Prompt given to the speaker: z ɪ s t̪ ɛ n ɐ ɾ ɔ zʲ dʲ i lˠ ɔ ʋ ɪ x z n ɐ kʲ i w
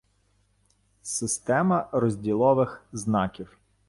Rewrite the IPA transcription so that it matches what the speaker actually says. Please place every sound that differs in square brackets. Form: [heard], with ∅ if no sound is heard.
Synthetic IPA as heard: [s] ɪ s t̪ ɛ [m] ɐ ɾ ɔ zʲ dʲ i lˠ ɔ ʋ ɪ x z n [ɑ] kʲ i w